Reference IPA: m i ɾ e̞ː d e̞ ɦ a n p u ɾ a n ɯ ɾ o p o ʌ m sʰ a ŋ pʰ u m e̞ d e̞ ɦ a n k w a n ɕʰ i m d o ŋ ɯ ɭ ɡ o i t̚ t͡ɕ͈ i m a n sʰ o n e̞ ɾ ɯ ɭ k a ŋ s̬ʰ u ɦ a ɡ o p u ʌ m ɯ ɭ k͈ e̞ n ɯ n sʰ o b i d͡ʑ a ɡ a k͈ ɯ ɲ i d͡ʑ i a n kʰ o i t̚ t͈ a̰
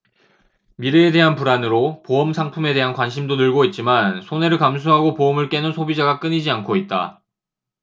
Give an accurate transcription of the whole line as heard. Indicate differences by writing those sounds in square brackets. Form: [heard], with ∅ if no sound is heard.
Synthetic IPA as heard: m i ɾ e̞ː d e̞ ɦ a n p u ɾ a n ɯ ɾ o p o ʌ m sʰ a ŋ pʰ u m e̞ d e̞ ɦ a n k w a n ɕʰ i m d o [n] ɯ ɭ ɡ o i t̚ t͡ɕ͈ i m a n sʰ o n e̞ ɾ ɯ ɭ k a [m] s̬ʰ u ɦ a ɡ o p [o] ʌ m ɯ ɭ k͈ e̞ n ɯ n sʰ o b i d͡ʑ a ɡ a k͈ ɯ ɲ i d͡ʑ i a n kʰ o i t̚ t͈ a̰